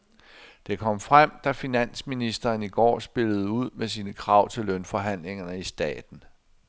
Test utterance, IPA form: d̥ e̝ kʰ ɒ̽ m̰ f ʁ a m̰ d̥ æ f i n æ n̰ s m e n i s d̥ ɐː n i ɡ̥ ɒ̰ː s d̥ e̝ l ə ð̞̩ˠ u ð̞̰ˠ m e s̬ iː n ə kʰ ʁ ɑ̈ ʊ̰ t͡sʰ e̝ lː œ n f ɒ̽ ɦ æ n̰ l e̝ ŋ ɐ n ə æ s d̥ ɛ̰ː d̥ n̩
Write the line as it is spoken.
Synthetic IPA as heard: d̥ e̝ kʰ ɒ̽ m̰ f ʁ a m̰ d̥ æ f i n æ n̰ s m i n i s d̥ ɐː n i ɡ̥ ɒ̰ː s b̥ e̝ l ə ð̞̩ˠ u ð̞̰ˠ m e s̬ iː n ə kʰ ʁ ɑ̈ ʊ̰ t͡sʰ e̝ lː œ n f ɒ̽ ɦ æ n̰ l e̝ ŋ ɐ n ə i s d̥ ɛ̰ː d̥ n̩